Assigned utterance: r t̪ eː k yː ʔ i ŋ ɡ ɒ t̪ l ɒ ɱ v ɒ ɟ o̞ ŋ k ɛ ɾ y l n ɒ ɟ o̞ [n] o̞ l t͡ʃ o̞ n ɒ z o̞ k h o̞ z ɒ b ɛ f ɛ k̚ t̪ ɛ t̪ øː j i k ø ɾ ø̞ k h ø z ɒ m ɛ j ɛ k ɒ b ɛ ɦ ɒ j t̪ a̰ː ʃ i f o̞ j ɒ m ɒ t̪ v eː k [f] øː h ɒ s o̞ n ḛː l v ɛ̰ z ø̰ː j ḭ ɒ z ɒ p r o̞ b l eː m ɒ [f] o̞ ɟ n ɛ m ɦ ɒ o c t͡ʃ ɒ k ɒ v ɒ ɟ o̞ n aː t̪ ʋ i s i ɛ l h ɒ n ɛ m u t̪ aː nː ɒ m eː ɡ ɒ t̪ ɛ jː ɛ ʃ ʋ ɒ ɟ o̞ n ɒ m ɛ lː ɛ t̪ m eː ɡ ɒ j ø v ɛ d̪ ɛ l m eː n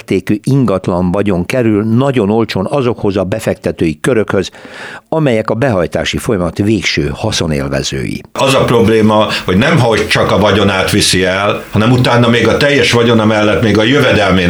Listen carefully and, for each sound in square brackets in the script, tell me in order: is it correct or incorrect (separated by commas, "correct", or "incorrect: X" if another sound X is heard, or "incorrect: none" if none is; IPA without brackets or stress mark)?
correct, incorrect: ʃ, incorrect: h